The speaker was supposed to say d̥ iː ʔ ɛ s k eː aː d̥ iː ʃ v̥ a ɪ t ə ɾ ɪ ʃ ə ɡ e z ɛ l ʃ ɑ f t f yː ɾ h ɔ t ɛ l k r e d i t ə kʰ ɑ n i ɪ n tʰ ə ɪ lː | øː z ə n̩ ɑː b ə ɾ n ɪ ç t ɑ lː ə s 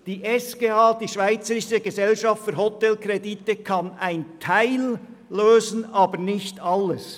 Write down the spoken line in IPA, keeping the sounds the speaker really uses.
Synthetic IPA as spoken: d̥ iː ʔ ɛ s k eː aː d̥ iː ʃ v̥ a ɪ t͡s ə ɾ ɪ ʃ ə ɡ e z ɛ l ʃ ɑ f t f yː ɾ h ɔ t ɛ l k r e d i t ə kʰ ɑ n a ɪ n tʰ a ɪ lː | øː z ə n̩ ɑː b ə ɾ n ɪ ç t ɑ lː ə s